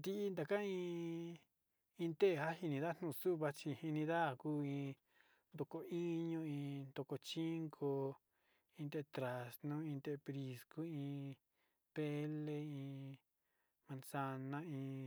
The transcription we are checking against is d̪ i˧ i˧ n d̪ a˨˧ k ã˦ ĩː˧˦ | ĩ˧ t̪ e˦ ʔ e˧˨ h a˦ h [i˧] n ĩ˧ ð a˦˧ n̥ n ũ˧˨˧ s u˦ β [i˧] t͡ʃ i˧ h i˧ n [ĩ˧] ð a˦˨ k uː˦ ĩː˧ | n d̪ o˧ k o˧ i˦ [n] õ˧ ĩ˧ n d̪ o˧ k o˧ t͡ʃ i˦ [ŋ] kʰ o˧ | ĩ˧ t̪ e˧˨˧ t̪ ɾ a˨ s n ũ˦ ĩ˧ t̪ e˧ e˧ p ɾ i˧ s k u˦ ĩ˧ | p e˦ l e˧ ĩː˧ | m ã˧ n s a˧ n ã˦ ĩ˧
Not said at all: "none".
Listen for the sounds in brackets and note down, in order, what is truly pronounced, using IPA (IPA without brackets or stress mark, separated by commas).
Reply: i˧, a˧, ĩ˧, ɲ, ŋ